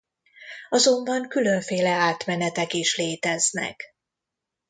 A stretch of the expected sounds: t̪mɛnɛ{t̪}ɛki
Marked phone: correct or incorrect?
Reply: correct